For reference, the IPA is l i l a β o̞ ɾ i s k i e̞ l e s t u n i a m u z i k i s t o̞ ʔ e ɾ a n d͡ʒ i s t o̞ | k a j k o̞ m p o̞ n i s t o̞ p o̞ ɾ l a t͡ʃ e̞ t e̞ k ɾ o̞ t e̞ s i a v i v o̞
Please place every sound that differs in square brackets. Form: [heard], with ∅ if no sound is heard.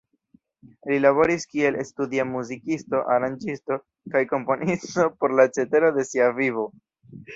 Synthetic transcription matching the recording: l i l a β o̞ ɾ i s k i e̞ l e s t u [d] i a m u z i k i s t o̞ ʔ [a] ɾ a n d͡ʒ i s t o̞ | k a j k o̞ m p o̞ n i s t o̞ p o̞ ɾ l a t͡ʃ e̞ t e̞ [∅] ɾ o̞ [d] e̞ s i a v i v o̞